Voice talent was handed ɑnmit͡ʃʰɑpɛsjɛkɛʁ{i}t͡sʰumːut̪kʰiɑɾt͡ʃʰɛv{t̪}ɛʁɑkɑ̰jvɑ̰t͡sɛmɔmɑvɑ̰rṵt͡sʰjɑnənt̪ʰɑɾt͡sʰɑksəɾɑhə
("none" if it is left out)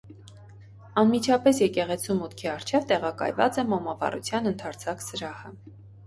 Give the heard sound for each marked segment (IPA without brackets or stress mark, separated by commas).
ɛ, t̪